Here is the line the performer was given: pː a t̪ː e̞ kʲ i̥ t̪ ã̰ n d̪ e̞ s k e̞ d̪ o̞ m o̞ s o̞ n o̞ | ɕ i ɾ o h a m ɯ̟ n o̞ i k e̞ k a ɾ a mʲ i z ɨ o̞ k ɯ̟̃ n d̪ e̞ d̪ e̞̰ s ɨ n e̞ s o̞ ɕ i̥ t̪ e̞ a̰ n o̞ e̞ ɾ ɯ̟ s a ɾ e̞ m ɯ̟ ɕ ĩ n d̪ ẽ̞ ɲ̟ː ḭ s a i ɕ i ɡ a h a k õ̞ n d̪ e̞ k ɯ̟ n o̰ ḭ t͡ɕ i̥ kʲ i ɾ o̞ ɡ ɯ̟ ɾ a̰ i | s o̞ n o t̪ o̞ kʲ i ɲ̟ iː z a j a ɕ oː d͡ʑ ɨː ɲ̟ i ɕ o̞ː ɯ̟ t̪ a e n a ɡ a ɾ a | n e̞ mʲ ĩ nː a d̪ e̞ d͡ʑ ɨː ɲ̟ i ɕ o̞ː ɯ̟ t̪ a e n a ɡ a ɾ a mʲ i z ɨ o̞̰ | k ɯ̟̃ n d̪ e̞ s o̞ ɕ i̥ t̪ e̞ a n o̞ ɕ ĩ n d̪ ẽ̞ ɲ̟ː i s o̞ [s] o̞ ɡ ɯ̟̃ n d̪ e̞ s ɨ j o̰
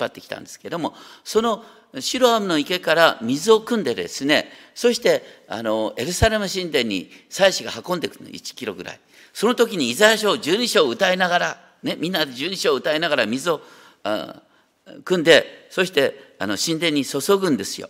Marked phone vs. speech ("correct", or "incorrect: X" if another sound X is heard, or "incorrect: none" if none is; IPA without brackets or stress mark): correct